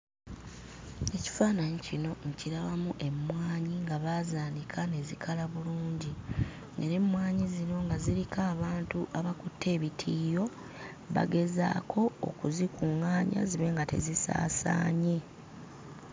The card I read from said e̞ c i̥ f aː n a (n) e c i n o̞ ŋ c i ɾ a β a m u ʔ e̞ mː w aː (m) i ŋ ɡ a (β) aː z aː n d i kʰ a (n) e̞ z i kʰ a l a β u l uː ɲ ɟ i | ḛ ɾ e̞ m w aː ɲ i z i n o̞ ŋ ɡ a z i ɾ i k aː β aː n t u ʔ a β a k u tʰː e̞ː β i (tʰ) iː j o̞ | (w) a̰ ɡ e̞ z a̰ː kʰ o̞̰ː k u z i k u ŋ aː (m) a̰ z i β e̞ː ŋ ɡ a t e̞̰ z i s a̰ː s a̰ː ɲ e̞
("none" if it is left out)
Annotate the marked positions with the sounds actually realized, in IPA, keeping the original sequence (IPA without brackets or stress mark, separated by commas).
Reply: ɲ, ɲ, β, n, tʰ, β, ɲ